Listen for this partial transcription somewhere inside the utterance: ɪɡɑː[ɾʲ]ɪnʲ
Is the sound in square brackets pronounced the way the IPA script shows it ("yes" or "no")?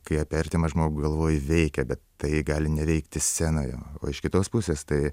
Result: no